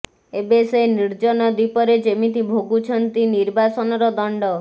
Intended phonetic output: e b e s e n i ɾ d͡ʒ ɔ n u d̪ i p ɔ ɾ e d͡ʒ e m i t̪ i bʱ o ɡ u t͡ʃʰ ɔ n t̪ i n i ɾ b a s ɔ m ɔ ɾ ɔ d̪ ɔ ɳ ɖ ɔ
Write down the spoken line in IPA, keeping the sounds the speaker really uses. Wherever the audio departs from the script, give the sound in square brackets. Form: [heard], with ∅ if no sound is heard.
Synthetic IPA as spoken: e b e s e n i ɾ d͡ʒ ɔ n [ɔ] d̪ i p ɔ ɾ e d͡ʒ e m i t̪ i bʱ o ɡ u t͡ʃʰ ɔ n t̪ i n i ɾ b a s ɔ [n] ɔ ɾ ɔ d̪ ɔ ɳ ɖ ɔ